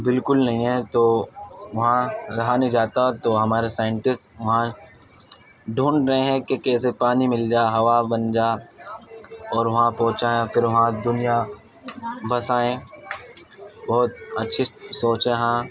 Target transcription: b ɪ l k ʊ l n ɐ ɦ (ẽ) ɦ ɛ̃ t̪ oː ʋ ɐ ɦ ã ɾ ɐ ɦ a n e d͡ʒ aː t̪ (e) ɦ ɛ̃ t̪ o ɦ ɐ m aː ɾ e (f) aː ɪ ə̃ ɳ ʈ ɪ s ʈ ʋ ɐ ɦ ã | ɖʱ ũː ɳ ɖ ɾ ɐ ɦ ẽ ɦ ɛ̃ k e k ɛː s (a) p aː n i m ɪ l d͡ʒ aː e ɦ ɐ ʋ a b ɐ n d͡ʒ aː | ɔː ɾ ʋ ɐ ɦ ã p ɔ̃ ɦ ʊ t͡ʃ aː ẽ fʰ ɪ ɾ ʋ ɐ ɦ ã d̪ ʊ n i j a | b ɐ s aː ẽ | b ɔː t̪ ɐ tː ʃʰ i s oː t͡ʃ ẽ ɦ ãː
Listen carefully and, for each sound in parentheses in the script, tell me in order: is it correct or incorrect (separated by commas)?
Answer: incorrect, incorrect, incorrect, incorrect